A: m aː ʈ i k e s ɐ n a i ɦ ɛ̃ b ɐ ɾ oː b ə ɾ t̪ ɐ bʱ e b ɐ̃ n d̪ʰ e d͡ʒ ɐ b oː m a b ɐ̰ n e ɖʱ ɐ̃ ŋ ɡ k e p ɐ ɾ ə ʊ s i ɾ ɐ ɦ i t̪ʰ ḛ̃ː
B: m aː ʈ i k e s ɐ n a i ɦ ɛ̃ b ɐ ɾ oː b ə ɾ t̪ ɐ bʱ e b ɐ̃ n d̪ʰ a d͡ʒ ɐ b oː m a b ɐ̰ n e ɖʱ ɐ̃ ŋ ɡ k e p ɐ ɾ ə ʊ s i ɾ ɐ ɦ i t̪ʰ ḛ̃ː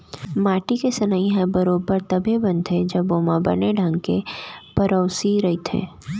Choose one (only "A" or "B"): A